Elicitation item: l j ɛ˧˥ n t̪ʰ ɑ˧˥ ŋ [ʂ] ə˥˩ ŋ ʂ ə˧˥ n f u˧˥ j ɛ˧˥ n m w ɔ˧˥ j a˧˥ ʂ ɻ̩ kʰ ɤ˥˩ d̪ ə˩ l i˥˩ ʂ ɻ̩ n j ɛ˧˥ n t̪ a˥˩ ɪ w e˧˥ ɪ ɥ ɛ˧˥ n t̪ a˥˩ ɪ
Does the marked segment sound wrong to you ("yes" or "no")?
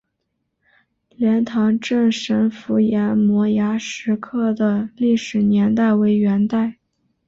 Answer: yes